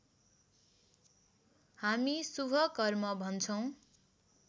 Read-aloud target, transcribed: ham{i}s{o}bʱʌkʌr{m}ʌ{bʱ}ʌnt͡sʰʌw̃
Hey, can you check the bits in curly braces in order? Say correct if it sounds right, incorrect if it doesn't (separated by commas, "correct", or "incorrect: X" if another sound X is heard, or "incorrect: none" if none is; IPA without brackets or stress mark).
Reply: correct, incorrect: u, correct, correct